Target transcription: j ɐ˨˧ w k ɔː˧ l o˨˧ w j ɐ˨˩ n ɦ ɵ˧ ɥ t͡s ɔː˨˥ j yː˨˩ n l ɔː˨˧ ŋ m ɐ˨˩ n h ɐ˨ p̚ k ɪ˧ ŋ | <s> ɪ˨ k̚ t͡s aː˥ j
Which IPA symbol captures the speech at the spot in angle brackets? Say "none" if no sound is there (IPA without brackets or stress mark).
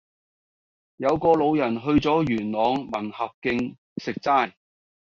s